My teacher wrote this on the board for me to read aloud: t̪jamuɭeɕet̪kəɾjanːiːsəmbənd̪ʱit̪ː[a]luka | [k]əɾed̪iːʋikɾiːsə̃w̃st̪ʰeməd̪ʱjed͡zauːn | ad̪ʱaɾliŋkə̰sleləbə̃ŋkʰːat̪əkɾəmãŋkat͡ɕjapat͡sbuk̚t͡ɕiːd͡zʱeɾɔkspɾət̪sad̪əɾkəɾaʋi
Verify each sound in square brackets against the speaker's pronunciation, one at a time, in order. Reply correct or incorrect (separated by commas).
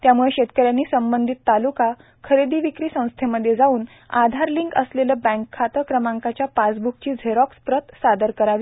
correct, incorrect